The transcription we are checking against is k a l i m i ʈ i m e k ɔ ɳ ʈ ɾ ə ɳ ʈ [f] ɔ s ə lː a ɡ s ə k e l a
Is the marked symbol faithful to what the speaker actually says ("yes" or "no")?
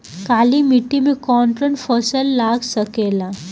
yes